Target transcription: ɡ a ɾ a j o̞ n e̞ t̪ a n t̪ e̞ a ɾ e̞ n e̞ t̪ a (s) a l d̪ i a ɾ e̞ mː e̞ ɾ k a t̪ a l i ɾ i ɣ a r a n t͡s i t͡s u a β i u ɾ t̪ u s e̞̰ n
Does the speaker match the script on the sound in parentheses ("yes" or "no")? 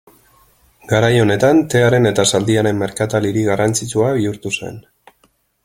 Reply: yes